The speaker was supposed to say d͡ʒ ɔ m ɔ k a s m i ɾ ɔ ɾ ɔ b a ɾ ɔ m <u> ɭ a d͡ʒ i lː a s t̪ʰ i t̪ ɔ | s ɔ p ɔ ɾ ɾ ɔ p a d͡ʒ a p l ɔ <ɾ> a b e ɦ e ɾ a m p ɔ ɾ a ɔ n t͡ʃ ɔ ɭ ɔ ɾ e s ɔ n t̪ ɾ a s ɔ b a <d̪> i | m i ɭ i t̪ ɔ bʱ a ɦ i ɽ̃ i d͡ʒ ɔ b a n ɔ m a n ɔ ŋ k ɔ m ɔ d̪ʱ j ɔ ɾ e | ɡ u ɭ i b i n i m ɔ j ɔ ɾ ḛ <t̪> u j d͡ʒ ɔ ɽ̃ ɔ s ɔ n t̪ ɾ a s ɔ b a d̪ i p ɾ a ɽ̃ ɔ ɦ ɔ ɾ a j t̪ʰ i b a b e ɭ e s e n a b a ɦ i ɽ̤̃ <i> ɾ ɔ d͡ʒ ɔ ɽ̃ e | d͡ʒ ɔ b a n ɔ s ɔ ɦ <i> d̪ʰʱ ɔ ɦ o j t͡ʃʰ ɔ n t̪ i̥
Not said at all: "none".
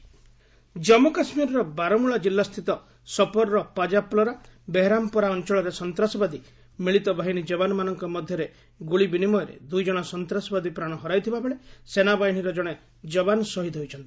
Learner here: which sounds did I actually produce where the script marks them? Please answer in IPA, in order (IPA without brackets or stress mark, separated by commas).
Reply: u, ɾ, d̪, d̪, i, i